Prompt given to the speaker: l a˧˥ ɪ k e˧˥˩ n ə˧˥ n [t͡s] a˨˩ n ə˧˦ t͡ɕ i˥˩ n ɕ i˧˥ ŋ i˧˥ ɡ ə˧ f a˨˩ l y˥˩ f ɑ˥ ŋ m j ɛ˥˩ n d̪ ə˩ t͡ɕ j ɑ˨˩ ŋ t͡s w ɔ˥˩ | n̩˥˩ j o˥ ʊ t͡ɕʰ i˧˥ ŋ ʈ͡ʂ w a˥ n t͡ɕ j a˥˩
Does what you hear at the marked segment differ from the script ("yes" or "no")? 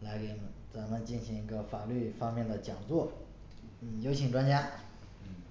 no